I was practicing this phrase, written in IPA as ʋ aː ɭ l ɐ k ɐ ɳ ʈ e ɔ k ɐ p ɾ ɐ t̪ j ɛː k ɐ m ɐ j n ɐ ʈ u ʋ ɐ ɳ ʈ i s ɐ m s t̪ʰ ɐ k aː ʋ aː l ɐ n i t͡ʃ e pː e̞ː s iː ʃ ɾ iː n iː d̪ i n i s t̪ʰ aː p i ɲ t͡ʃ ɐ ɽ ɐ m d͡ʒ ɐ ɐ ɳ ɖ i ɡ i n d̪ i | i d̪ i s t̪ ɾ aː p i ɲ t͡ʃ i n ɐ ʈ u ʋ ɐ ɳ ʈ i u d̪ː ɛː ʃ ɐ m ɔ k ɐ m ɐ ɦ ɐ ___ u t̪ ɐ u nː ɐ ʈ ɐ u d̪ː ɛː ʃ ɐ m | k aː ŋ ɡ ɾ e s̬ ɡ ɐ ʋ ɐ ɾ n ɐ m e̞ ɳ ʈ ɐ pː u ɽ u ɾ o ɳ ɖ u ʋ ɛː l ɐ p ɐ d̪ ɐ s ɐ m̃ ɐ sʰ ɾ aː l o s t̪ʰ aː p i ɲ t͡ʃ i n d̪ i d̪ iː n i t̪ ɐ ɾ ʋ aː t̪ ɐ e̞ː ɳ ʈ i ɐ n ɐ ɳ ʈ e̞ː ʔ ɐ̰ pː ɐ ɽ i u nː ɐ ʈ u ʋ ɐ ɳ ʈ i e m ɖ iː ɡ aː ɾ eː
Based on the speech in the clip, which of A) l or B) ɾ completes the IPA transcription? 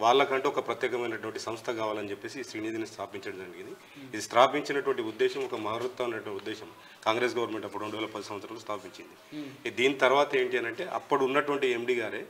B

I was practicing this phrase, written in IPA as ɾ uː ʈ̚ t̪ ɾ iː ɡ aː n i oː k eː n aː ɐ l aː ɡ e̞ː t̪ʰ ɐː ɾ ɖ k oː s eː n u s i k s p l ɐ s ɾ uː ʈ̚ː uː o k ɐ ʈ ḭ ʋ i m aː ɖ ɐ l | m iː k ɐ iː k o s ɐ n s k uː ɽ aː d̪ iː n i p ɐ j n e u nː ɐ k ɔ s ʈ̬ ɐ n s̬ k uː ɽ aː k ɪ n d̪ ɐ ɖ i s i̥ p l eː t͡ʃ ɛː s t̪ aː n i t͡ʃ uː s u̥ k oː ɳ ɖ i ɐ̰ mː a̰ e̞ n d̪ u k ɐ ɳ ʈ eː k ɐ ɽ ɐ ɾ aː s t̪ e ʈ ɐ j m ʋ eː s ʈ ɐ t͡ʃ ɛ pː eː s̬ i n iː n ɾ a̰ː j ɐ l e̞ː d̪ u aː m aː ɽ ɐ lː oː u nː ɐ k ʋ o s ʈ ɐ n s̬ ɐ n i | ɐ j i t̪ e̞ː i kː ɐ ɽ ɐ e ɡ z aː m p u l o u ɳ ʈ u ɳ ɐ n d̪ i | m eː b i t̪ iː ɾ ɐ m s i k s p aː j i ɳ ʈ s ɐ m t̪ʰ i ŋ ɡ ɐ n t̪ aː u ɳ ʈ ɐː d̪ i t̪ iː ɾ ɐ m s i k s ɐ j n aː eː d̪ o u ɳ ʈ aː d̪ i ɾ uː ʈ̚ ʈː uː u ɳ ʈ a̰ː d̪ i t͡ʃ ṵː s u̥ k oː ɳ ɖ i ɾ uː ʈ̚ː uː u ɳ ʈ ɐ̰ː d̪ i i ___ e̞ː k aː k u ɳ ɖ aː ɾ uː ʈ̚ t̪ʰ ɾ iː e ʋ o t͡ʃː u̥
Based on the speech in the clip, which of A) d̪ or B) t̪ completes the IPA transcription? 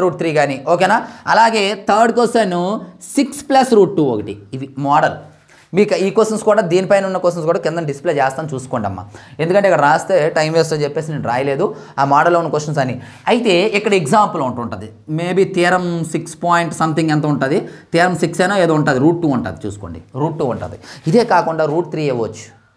A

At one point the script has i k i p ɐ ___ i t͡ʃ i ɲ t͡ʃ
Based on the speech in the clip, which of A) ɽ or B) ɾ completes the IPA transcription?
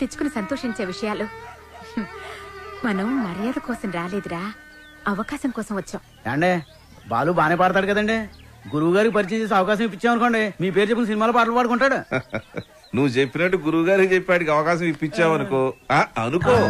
B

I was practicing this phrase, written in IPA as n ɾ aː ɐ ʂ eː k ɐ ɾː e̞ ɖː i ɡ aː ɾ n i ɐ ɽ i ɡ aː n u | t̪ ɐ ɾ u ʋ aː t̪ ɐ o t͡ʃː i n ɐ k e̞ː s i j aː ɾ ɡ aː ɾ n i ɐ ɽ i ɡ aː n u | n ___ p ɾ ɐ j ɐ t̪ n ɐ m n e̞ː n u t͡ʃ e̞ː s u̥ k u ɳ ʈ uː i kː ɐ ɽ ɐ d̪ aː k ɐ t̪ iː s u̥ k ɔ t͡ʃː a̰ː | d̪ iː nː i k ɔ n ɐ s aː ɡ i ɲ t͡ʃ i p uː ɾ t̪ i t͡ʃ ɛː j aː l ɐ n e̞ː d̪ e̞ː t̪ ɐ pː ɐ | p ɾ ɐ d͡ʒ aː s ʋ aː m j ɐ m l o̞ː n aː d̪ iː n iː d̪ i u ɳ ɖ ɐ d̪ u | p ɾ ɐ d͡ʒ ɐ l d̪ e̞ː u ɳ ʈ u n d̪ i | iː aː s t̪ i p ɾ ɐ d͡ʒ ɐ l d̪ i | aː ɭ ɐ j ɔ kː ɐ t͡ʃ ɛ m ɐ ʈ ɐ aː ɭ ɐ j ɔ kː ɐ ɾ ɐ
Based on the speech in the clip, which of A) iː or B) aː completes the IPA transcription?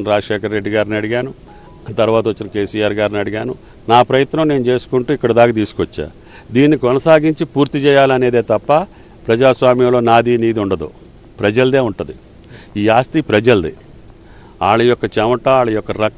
B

